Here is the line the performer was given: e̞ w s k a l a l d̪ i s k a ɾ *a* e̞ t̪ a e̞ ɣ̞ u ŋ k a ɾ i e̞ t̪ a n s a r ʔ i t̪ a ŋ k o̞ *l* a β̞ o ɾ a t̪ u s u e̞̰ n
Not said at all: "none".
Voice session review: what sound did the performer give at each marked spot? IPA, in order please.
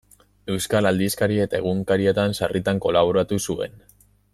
i, l

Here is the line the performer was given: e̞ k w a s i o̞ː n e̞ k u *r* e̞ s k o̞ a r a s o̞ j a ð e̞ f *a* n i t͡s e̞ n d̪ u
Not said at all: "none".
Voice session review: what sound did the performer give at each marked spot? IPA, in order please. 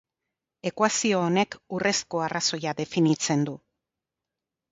r, i

